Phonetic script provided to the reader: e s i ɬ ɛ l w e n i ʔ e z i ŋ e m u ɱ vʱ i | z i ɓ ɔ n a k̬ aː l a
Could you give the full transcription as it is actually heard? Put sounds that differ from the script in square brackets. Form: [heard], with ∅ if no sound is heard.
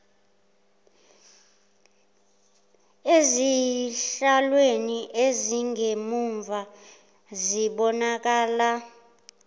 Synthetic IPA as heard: e [z] i ɬ [a] l w e n i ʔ e z i ŋ e m u ɱ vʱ [a] | z i ɓ ɔ n a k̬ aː l a